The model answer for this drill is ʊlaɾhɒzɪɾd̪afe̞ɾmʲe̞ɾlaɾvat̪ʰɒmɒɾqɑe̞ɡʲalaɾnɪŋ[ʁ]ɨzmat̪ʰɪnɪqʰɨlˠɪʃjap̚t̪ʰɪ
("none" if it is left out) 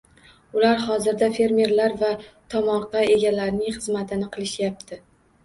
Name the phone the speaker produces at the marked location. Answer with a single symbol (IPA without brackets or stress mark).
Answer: χ